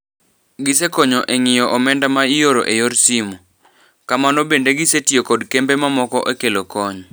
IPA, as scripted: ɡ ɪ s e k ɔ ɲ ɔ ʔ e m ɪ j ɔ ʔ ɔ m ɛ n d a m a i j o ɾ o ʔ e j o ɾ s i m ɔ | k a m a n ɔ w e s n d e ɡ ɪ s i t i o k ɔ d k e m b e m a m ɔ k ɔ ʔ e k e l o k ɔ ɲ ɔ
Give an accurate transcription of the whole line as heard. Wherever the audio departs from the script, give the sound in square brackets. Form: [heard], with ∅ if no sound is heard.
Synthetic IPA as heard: ɡ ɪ s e k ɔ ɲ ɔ ʔ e [ŋ] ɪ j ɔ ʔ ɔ m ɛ n d a m a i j o ɾ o ʔ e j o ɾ s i m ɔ | k a m a n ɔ [b] e [∅] n d e ɡ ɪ s [e] t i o k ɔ d k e m b e m a m ɔ k ɔ ʔ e k e l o k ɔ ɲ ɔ

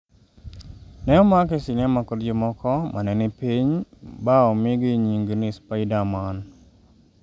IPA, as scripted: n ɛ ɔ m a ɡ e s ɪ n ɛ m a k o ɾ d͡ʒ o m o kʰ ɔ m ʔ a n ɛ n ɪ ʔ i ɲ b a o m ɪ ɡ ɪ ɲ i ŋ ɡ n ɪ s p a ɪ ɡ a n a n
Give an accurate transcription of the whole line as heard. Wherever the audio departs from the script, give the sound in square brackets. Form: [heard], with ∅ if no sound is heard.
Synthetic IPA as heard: n ɛ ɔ m a [k] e s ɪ n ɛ m a k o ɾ d͡ʒ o m [ɔ] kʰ ɔ m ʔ a n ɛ n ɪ [p] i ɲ b a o m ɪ ɡ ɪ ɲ i ŋ ɡ n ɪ s p a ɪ [d] a [m] a n

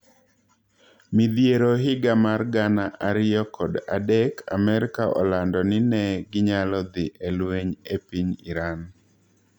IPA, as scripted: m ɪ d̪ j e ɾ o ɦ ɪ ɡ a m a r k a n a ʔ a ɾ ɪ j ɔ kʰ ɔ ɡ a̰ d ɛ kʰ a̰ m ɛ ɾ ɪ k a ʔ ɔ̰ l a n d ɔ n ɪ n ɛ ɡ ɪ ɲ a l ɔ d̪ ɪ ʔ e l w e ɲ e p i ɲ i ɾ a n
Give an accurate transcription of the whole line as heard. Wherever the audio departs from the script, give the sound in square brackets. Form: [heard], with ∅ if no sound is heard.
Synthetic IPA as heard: m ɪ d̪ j e ɾ o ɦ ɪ ɡ a m a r [ɡ] a n a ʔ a ɾ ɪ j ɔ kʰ ɔ [d] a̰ d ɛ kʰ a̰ m ɛ ɾ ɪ k a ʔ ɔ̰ l a n d ɔ n ɪ n ɛ ɡ ɪ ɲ a l ɔ d̪ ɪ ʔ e l w e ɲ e p i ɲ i ɾ a n

